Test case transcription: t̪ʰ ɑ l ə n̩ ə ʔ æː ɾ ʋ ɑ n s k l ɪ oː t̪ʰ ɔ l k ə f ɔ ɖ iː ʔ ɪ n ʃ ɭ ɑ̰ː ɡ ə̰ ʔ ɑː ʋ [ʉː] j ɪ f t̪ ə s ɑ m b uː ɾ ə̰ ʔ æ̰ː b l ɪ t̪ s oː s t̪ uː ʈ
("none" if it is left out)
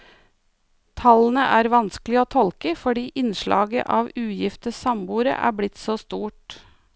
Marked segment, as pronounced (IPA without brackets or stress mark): ʉː